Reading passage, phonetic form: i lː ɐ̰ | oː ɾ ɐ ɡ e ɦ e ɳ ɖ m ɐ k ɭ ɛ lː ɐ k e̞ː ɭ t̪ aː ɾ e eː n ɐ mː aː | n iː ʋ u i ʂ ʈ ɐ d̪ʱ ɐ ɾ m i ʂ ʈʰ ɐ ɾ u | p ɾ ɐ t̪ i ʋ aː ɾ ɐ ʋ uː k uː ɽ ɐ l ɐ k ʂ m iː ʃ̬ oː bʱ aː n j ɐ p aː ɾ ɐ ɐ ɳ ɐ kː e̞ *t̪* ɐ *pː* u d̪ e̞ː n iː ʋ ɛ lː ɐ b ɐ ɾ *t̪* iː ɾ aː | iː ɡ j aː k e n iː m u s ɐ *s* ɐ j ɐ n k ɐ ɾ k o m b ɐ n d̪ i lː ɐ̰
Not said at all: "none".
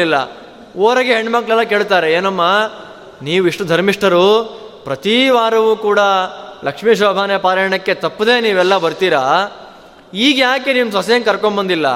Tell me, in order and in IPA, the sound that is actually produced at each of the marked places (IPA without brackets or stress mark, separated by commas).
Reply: t̪, pː, t̪, s